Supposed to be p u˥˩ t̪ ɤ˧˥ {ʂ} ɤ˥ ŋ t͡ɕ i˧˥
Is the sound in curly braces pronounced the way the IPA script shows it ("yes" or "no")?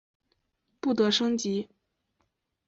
yes